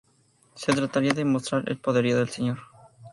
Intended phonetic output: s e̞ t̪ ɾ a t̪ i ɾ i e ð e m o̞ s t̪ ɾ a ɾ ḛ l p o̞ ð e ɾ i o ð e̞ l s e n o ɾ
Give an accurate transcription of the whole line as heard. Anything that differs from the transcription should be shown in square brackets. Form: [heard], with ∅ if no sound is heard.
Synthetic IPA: s e̞ t̪ ɾ a t̪ [a] ɾ i [a] ð e m o̞ s t̪ ɾ a ɾ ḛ l p o̞ ð e ɾ i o ð e̞ l s e [ɲ] o ɾ